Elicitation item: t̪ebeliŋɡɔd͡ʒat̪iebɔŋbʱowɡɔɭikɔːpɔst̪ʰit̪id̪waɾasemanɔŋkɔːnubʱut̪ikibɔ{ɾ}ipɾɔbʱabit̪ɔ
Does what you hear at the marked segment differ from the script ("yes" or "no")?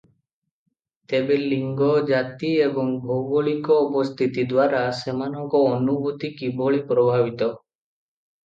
yes